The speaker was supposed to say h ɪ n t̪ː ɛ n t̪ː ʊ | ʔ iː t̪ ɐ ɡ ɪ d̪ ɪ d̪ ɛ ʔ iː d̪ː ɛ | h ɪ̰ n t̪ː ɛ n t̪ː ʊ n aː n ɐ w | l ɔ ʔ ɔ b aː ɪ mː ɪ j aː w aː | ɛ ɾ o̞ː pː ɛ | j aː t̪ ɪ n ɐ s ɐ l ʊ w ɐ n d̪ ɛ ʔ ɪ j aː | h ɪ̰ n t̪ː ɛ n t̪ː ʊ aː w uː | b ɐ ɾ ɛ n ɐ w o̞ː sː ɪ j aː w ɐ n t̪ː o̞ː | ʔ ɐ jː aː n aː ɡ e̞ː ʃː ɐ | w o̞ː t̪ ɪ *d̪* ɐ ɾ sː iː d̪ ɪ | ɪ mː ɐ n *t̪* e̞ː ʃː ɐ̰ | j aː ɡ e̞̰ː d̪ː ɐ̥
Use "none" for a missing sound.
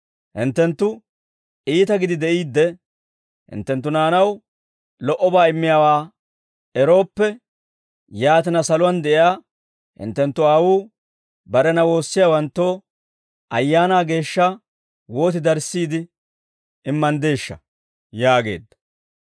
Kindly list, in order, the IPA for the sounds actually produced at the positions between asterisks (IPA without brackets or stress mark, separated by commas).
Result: d̪, d̪